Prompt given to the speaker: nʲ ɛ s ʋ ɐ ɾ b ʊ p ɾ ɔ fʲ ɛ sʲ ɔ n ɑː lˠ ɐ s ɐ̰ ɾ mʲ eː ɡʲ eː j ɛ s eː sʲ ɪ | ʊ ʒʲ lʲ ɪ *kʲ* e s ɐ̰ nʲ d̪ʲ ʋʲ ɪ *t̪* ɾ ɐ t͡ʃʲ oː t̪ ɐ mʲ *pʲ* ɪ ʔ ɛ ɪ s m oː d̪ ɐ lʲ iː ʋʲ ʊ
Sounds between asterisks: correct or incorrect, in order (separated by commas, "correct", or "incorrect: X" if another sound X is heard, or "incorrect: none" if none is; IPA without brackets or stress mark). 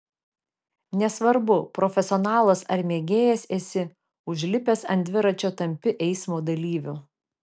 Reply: incorrect: pʲ, incorrect: none, correct